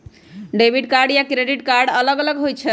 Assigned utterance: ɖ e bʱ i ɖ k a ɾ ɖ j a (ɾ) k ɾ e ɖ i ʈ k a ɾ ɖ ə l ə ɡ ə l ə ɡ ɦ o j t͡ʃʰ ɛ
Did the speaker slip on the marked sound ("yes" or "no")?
yes